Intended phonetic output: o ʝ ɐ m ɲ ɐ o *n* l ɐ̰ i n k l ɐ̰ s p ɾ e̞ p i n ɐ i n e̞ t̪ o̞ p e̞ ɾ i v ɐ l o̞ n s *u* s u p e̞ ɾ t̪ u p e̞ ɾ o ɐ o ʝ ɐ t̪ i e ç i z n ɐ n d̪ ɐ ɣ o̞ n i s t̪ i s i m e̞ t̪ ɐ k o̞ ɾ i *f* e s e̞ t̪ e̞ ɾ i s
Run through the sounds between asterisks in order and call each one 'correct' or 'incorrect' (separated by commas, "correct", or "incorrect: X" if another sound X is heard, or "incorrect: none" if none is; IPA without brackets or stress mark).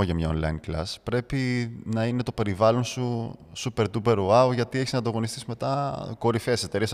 correct, correct, correct